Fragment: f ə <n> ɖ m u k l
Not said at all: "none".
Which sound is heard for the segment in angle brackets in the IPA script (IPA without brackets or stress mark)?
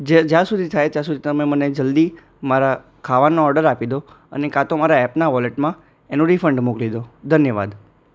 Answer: ɳ